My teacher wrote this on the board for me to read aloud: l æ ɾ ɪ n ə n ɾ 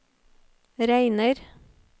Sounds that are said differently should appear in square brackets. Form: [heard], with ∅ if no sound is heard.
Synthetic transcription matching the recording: [ɾ] æ [∅] ɪ n ə [∅] ɾ